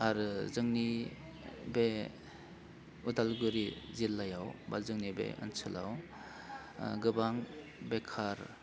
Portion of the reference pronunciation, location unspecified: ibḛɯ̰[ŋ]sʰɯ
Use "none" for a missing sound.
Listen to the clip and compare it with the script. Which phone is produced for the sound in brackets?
n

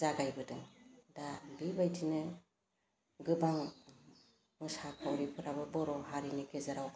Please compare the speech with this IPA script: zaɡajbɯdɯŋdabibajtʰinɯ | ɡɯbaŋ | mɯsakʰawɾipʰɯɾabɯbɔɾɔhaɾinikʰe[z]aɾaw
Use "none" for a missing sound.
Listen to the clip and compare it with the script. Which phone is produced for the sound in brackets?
z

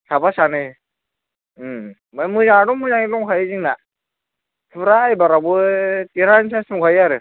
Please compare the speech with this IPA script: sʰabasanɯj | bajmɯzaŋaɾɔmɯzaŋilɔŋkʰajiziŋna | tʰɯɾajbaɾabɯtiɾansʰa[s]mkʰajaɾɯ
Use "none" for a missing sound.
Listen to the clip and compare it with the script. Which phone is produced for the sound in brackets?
s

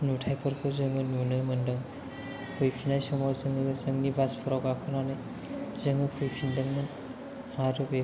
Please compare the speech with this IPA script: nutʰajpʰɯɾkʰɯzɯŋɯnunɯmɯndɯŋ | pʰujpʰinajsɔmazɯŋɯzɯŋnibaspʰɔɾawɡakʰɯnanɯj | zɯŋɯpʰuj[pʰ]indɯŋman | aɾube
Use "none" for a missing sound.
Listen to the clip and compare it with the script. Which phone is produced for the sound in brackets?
pʰ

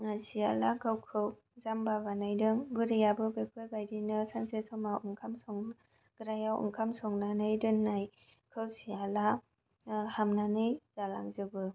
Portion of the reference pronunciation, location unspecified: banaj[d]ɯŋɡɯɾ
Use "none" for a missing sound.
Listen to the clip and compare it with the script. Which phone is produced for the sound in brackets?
d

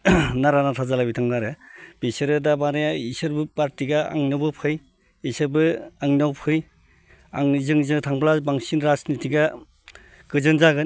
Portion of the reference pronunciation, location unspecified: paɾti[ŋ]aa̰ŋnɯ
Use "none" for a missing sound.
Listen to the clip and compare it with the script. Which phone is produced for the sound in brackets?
ɡ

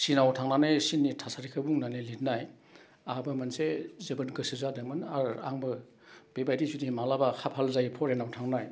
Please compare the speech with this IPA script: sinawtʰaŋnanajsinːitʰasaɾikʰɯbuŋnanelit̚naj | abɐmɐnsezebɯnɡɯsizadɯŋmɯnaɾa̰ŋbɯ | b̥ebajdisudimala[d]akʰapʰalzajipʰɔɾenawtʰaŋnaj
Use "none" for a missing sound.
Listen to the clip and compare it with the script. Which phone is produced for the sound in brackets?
b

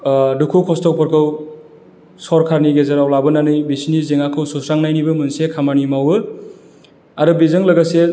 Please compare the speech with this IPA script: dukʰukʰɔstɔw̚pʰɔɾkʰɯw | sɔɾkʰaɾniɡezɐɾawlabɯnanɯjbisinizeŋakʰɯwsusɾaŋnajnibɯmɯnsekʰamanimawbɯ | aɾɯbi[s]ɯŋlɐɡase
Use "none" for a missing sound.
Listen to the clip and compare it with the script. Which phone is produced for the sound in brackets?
z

